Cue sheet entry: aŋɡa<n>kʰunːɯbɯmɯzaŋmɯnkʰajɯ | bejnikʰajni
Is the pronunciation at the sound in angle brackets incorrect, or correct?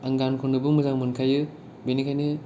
correct